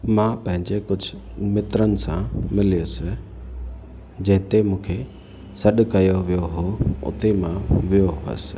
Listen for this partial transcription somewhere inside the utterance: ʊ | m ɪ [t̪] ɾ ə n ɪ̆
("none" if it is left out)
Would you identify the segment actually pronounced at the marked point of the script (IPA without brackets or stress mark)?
t̪